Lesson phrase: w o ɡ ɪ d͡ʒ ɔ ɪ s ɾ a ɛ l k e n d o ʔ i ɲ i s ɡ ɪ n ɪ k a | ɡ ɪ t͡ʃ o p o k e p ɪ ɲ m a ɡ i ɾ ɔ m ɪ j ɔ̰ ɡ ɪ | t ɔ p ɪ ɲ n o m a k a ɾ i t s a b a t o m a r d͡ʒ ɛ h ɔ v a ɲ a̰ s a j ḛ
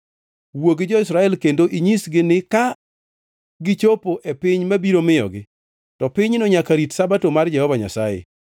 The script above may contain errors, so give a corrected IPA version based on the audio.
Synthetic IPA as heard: w o ɡ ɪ d͡ʒ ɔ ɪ s ɾ a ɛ l k e n d o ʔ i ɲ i s ɡ ɪ n ɪ k a | ɡ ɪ t͡ʃ o p o ʔ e p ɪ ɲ m a b i ɾ o m ɪ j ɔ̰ ɡ ɪ | t ɔ p ɪ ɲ n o ɲ a k a ɾ i t s a b a t o m a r d͡ʒ ɛ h ɔ v a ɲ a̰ s a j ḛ